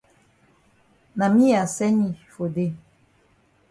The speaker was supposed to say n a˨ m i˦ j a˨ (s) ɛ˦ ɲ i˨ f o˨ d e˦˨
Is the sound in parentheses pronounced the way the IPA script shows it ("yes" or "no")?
yes